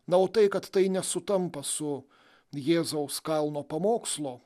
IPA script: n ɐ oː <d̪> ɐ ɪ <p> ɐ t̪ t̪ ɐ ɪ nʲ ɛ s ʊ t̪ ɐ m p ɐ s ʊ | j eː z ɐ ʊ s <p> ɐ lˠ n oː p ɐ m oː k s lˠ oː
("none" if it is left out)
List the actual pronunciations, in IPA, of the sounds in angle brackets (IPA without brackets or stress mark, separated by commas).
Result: t̪, k, k